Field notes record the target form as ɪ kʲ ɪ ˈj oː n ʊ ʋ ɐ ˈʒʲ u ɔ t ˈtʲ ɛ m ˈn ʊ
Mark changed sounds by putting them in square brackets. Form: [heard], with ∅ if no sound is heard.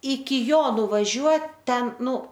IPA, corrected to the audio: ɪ kʲ ɪ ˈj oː n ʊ ʋ ɐ ˈʒʲ u ɔ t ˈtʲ ɛ [n] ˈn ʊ